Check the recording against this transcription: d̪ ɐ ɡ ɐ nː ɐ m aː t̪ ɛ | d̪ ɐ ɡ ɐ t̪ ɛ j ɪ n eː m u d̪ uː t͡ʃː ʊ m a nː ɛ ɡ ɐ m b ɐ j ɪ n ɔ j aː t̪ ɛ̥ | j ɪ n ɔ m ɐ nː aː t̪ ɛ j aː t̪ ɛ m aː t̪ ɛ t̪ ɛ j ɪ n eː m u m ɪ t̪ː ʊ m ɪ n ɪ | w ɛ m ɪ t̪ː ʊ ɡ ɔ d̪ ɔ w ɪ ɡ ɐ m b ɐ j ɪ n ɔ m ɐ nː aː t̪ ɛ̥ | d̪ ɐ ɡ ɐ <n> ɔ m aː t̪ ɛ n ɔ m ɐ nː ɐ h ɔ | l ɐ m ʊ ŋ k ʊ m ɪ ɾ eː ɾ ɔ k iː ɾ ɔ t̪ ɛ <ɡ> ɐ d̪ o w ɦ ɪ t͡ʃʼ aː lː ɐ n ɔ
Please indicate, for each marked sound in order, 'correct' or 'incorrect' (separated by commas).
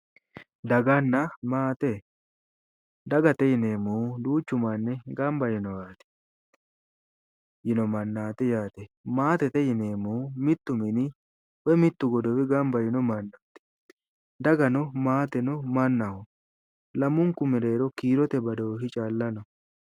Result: correct, incorrect